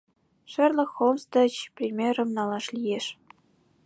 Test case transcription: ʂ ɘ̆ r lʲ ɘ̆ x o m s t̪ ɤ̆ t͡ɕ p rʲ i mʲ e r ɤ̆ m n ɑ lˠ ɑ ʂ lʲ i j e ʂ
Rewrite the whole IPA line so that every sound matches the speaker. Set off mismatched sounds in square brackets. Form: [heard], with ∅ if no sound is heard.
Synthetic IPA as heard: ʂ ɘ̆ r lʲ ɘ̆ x o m s t̪ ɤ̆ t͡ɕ p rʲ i mʲ e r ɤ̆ m n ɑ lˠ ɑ ʂ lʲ i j e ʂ